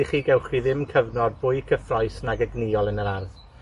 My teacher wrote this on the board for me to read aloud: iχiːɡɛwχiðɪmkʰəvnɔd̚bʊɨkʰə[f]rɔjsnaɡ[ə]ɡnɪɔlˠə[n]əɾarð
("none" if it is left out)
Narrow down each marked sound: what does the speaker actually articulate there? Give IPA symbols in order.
f, ə, n

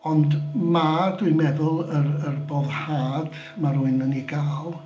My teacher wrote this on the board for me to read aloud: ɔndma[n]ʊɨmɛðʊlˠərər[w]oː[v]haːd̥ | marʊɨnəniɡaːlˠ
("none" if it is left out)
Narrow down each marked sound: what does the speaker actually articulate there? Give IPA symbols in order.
d, b, ð

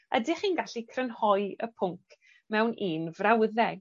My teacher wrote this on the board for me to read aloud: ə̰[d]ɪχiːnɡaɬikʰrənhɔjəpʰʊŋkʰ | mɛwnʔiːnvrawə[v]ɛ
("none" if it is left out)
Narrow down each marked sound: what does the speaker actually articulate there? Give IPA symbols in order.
d, ð

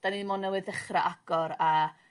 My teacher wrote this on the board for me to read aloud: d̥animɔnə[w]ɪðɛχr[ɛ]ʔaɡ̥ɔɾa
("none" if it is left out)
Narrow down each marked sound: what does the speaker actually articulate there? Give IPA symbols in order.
w, a

